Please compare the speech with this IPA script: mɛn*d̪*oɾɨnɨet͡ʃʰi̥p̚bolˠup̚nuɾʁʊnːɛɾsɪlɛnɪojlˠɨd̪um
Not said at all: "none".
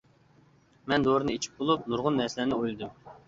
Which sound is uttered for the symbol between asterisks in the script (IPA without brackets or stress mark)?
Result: d̪